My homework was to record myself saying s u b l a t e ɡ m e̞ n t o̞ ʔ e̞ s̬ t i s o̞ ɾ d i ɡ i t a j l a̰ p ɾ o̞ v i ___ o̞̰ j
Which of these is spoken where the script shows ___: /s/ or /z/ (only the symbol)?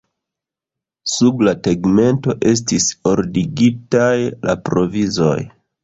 z